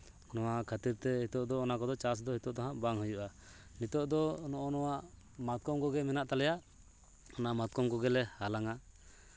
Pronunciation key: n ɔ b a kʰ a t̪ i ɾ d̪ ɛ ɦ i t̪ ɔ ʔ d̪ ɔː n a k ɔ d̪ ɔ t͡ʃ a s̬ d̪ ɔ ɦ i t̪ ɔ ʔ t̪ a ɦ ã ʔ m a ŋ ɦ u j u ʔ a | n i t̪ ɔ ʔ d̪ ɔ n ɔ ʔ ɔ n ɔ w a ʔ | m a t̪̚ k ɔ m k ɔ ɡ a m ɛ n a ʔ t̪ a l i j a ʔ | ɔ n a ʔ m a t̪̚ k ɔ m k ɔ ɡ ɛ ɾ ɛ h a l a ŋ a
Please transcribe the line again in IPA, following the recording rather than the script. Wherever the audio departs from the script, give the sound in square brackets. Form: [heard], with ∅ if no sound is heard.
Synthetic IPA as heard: n ɔ [w] a kʰ a t̪ i ɾ [t̪] ɛ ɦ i t̪ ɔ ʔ d̪ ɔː n a k ɔ d̪ ɔ t͡ʃ a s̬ d̪ ɔ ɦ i t̪ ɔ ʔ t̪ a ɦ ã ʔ [b] a ŋ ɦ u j u ʔ a | n i t̪ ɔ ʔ d̪ ɔ n ɔ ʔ ɔ n ɔ w a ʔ | m a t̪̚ k ɔ m k ɔ ɡ [ɛ] m ɛ n a ʔ t̪ a l [ɛ] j a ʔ | ɔ n a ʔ m a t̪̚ k ɔ m k ɔ ɡ ɛ [l] ɛ h a l a ŋ a